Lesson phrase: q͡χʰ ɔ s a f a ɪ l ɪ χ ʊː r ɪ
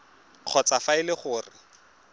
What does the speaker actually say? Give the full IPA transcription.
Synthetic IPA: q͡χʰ ɔ t͡s a f a ɪ l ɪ χ ʊː r ɪ